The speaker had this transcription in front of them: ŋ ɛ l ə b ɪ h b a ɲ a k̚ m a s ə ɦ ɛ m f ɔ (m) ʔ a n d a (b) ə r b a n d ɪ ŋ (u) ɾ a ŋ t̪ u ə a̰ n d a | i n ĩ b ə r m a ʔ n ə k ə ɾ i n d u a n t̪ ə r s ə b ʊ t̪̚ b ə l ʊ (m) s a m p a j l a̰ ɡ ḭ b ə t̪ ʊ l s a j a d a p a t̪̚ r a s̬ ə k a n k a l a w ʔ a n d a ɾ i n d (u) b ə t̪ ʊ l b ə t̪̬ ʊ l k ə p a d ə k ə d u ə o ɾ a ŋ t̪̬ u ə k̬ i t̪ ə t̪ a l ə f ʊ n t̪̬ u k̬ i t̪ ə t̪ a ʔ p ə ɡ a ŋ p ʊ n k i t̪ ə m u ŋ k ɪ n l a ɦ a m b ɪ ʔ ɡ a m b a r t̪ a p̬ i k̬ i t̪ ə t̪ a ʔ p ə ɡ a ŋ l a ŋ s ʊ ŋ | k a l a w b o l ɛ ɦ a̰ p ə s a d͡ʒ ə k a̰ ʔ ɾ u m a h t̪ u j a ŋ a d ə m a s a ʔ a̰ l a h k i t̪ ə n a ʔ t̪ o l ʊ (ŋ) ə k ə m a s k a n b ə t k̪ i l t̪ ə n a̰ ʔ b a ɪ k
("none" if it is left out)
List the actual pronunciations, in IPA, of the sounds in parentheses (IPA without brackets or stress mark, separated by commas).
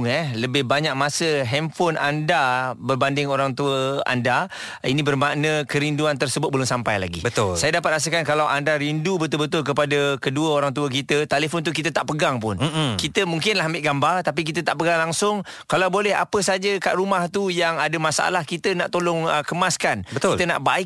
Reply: n, b, o, ŋ, u, ŋ